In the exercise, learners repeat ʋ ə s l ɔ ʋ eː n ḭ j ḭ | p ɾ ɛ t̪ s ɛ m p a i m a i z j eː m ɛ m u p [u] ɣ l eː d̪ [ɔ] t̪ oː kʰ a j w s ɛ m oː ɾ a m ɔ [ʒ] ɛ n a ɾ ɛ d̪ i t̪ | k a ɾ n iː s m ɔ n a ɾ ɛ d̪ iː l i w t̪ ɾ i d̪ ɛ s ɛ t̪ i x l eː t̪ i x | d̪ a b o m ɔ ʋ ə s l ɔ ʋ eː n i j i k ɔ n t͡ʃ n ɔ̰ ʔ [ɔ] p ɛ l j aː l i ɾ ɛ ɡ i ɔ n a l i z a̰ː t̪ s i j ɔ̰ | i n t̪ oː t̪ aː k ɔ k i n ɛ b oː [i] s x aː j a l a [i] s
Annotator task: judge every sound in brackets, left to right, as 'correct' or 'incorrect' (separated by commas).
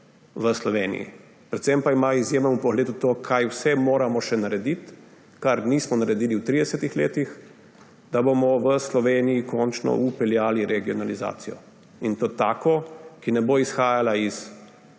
incorrect, incorrect, incorrect, incorrect, correct, correct